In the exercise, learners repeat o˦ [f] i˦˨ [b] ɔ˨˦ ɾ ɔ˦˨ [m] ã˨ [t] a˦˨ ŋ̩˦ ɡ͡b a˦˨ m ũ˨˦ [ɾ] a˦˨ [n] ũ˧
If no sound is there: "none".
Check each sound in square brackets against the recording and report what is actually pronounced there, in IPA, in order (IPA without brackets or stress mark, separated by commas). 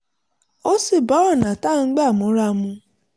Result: s, b, n, t, ɾ, m